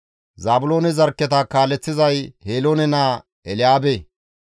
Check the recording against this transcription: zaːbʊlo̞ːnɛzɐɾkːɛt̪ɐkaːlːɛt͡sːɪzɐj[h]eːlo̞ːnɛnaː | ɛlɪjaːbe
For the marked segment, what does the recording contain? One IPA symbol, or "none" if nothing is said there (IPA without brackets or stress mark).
h